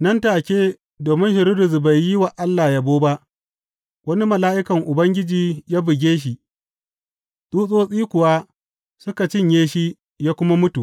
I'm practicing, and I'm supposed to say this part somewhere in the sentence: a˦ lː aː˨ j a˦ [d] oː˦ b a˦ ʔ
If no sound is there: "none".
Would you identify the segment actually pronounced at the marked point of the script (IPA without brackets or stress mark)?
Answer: b